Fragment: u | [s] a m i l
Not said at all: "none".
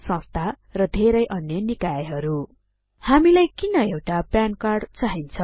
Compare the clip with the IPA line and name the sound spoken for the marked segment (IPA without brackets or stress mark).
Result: h